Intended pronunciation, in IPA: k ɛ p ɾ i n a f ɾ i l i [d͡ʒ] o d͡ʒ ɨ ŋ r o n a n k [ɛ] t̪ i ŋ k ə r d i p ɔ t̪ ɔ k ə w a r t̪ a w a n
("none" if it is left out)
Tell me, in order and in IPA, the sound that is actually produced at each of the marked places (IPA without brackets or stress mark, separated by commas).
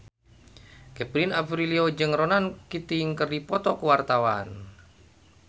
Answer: none, i